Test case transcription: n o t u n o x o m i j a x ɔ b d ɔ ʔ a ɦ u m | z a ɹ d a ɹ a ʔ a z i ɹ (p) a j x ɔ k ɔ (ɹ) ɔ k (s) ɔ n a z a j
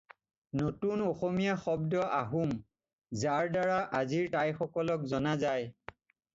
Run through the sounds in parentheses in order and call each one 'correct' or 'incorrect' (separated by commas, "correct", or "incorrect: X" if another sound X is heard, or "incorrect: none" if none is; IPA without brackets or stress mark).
incorrect: t, incorrect: l, incorrect: z